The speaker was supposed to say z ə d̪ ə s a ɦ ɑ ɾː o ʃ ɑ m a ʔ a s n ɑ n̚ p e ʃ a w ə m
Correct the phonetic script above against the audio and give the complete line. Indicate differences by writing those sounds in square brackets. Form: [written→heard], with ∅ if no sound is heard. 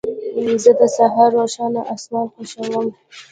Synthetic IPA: z ə d̪ ə s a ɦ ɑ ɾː o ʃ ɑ [m→n] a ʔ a s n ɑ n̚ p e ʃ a w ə m